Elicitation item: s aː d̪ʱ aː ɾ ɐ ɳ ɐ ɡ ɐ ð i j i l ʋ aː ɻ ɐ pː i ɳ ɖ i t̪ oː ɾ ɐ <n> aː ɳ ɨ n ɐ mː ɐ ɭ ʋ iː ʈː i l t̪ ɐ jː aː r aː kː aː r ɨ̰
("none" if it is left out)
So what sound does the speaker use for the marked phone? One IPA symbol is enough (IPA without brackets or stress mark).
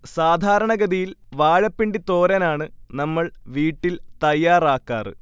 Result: n